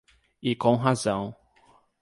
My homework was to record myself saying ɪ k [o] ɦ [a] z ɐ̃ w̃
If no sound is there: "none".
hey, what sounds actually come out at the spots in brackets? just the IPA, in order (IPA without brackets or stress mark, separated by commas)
õ, a